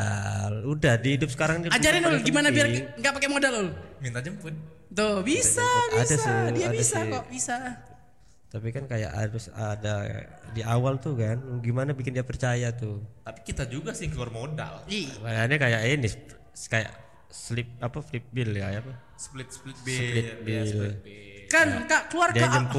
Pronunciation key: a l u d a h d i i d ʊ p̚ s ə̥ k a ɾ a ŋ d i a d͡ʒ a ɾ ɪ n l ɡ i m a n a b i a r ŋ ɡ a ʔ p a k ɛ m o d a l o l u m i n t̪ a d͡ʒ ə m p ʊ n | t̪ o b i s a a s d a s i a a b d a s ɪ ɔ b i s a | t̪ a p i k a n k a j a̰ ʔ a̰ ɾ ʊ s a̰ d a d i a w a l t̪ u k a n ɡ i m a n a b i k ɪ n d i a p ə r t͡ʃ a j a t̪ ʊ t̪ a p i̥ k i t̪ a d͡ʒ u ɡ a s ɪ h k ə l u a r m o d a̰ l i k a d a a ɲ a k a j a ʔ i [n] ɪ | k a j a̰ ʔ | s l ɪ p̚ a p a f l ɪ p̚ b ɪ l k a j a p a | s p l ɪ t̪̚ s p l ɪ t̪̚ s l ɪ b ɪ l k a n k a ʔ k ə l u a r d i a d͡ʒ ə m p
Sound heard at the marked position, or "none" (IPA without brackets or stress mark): n